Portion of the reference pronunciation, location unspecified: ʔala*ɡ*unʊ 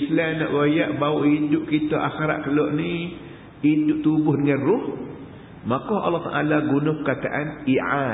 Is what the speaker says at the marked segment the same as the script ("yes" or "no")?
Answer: yes